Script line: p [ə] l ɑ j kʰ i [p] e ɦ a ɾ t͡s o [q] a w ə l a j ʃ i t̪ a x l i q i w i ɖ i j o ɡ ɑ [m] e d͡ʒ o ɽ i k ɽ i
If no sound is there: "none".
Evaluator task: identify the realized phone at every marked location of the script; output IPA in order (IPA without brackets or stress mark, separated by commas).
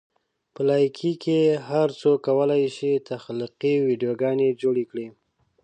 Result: ə, k, k, n